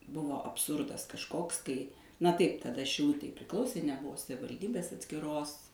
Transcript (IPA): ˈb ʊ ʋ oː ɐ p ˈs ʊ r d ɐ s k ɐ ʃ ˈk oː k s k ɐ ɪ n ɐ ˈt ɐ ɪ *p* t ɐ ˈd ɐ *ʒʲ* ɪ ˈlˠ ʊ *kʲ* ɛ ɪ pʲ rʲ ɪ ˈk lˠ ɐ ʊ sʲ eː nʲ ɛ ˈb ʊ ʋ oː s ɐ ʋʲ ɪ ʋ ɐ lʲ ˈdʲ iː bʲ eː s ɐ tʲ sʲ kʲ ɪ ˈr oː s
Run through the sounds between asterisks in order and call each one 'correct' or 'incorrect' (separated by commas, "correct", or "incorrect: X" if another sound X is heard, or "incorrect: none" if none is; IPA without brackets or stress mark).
correct, incorrect: ʃʲ, incorrect: tʲ